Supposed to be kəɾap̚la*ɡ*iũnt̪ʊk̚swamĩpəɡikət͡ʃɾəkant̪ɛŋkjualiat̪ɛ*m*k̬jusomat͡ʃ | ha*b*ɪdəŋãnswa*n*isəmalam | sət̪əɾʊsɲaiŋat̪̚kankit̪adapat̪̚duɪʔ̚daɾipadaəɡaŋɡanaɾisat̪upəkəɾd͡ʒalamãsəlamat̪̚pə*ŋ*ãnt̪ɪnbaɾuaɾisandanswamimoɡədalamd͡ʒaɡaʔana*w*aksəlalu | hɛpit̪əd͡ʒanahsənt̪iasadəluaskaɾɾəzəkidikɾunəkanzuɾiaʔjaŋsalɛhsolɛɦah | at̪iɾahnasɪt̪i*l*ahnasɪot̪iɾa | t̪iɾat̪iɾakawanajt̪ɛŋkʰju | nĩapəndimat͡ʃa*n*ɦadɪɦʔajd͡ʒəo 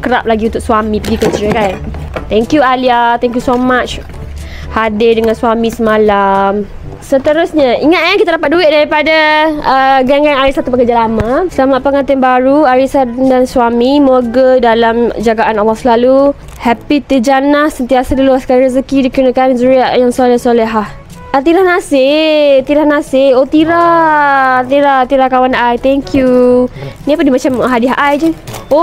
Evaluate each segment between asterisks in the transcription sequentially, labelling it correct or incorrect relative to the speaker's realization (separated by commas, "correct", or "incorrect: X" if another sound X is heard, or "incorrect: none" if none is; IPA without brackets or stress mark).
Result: correct, incorrect: ŋ, incorrect: d, incorrect: m, correct, correct, incorrect: ɾ, incorrect: m